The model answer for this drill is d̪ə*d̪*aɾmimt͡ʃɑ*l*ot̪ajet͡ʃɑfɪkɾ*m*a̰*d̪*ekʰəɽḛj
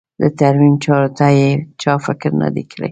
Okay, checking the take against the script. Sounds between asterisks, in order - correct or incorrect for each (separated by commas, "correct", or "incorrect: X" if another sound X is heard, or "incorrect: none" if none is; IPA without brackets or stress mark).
incorrect: t̪, incorrect: ɾ, incorrect: n, correct